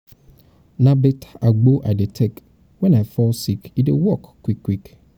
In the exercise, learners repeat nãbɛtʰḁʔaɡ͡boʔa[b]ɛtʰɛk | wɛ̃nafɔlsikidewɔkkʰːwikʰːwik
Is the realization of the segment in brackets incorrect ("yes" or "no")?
yes